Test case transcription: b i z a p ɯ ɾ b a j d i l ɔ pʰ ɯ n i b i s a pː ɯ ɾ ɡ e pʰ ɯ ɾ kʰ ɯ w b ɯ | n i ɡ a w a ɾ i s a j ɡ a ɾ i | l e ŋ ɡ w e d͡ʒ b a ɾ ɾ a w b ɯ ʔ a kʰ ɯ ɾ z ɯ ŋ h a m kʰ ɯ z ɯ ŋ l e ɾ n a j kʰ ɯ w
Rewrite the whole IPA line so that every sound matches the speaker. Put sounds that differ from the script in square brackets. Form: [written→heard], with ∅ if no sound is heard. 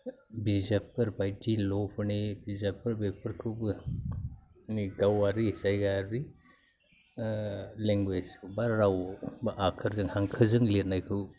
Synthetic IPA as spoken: b i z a p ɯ ɾ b a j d i l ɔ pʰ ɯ n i b i [s→z] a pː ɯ ɾ [ɡ→b] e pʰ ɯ ɾ kʰ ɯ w b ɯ | n i ɡ a w a ɾ i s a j ɡ a ɾ i | l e ŋ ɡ w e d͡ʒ b a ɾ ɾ a w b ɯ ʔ a kʰ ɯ ɾ z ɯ ŋ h a [m→ŋ] kʰ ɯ z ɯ ŋ l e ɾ n a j kʰ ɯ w

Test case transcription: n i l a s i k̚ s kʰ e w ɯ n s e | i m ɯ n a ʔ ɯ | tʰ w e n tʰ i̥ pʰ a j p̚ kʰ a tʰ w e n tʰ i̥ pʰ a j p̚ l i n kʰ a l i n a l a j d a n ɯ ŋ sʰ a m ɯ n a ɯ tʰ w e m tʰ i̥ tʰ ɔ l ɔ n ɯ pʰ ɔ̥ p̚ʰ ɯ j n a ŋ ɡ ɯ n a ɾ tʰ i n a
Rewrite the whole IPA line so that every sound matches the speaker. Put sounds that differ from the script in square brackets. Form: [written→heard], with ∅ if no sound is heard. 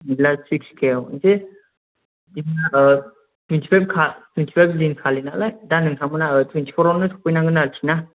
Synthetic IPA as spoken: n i l a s i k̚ s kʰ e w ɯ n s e | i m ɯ n a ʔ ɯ | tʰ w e n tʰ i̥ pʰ a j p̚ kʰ a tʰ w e n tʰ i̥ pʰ a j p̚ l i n kʰ a l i n a l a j d a n ɯ ŋ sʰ a m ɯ n a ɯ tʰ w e [m→n] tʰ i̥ [tʰ→pʰ] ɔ [l→ɾ] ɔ n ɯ [pʰ→tʰ] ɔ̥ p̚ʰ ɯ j n a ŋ ɡ ɯ n a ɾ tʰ i n a

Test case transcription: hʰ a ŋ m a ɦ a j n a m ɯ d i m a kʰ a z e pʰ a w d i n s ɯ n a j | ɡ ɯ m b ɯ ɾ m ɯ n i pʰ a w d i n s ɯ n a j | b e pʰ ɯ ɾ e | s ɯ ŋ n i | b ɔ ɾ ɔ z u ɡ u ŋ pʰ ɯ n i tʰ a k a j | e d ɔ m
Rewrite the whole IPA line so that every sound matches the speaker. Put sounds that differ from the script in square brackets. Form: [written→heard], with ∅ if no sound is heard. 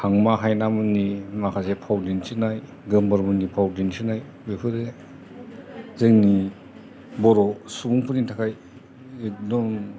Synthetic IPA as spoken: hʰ a ŋ m a ɦ a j n a m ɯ [d→n] i m a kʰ a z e pʰ a w d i n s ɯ n a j | ɡ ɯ m b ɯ ɾ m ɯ n i pʰ a w d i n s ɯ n a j | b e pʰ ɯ ɾ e | [s→z] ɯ ŋ n i | b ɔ ɾ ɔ [z→s] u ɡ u ŋ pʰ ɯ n i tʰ a k a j | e d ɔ m

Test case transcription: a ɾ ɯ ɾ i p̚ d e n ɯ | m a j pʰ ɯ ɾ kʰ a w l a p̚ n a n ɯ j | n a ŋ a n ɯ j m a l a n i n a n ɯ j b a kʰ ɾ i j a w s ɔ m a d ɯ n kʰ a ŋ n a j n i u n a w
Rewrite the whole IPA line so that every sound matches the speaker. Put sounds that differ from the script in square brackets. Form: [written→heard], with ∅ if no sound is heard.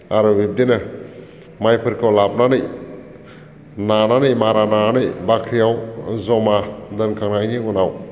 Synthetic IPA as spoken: a ɾ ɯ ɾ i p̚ d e n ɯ | m a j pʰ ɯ ɾ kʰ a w l a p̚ n a n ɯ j | n a [ŋ→n] a n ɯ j m a [l→ɾ] a n [i→a] n a n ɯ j b a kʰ ɾ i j a w [s→z] ɔ m a d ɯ n kʰ a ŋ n a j n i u n a w

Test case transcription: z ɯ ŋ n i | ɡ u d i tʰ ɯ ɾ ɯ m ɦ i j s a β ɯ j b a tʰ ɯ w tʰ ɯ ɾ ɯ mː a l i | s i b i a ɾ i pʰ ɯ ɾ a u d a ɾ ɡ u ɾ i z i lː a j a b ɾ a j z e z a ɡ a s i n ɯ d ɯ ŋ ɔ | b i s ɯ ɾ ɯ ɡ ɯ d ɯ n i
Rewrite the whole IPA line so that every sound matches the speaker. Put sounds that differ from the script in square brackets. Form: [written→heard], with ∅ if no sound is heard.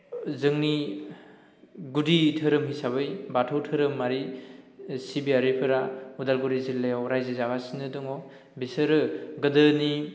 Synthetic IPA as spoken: z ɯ ŋ n i | ɡ u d i tʰ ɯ ɾ ɯ m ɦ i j s a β ɯ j b a tʰ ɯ w tʰ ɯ ɾ ɯ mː a [l→ɾ] i | s i b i a ɾ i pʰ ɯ ɾ a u d a [ɾ→l] ɡ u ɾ i z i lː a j a [b→w] ɾ a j z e z a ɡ a s i n ɯ d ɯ ŋ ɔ | b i s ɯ ɾ ɯ ɡ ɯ d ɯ n i

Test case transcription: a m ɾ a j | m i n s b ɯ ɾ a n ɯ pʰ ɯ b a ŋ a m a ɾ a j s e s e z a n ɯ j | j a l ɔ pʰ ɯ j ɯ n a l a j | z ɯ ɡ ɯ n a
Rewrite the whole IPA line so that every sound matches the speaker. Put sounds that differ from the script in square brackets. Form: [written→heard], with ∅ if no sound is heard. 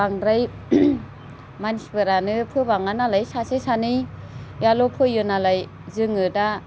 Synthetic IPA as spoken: a [m→ŋ] ɾ a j | m [i→a] n s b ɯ ɾ a n ɯ pʰ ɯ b a ŋ a [m→n] a [ɾ→l] a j s [e→a] s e [z→s] a n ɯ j | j a l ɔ pʰ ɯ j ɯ n a l a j | z ɯ [ɡ→ŋ] ɯ [n→d] a

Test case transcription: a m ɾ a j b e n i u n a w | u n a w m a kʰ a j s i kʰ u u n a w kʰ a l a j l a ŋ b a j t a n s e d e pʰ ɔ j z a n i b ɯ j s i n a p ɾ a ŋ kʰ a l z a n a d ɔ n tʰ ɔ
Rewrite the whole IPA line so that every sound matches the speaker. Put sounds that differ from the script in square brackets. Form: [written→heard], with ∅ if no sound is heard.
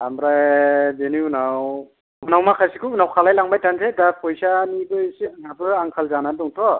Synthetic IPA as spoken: a m ɾ a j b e n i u n a w | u n a w m a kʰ a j s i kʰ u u n a w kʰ a l a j l a ŋ b a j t a n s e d [e→a] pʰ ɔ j [z→s] a n i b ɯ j s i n a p ɾ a ŋ kʰ a l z a n a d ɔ [n→ŋ] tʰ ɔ

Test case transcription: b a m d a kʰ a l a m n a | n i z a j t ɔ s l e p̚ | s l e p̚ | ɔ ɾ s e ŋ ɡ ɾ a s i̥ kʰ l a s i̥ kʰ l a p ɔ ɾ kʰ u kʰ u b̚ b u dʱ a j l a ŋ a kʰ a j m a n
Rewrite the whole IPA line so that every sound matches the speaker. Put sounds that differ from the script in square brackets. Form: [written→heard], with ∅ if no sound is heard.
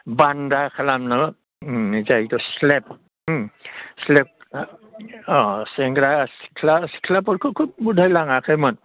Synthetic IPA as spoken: b a [m→n] d a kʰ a l a m n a | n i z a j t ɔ s l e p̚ | s l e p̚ | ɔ [ɾ→∅] s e ŋ ɡ ɾ a s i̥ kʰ l a s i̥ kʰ l a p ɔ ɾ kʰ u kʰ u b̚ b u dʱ a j l a ŋ a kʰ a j m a n

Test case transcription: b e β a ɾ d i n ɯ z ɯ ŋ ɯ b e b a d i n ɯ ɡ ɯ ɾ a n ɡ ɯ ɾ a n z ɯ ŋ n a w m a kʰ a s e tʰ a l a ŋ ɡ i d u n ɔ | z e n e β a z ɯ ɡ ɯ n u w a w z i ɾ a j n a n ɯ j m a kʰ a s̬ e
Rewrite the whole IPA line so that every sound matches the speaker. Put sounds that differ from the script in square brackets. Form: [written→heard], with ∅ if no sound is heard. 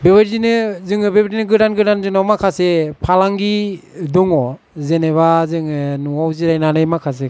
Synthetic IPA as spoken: b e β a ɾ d i n ɯ z ɯ ŋ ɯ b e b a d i n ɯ ɡ ɯ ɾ a n ɡ ɯ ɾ a n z ɯ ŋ n a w m a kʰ a s e [tʰ→pʰ] a l a ŋ ɡ i d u [n→ŋ] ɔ | z e n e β a z ɯ [ɡ→ŋ] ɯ n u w a w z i ɾ a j n a n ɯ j m a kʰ a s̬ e

